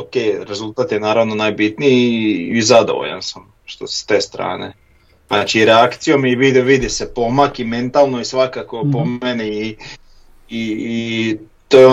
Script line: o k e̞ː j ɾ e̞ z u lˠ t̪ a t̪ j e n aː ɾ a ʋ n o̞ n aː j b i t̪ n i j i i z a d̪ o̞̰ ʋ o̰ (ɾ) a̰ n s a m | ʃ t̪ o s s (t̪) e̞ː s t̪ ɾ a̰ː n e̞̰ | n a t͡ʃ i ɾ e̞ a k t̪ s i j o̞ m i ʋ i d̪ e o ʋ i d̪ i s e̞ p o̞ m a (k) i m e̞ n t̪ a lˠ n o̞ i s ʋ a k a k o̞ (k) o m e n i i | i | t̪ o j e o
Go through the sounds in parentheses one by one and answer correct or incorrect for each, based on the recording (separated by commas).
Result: incorrect, correct, correct, incorrect